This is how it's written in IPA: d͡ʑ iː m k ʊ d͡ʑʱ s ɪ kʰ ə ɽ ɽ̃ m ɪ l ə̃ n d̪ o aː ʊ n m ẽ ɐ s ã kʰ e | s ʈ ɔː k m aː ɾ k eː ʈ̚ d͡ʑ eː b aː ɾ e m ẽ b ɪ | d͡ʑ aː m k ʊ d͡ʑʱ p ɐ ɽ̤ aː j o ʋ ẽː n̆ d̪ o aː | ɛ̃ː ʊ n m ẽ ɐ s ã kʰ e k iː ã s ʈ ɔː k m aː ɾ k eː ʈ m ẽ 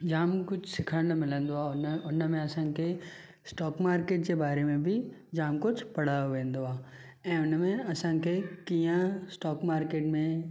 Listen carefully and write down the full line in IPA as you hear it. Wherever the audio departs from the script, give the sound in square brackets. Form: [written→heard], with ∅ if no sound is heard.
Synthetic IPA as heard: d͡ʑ [iː→aː] m k ʊ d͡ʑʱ s ɪ kʰ ə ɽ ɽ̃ m ɪ l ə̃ n d̪ o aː ʊ n m ẽ ɐ s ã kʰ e | s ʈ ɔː k m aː ɾ k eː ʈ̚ d͡ʑ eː b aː ɾ e m ẽ b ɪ | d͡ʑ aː m k ʊ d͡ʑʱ p ɐ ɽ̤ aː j o ʋ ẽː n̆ d̪ o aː | ɛ̃ː ʊ n m ẽ ɐ s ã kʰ e k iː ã s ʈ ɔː k m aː ɾ k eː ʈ m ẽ